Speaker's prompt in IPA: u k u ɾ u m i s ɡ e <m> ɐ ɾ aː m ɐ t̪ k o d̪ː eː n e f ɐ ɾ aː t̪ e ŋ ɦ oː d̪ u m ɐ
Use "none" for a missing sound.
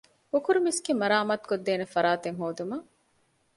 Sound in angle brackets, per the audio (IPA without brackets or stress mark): m